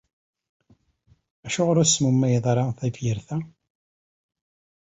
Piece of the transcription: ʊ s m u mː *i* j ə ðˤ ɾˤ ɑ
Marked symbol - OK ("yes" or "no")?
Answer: no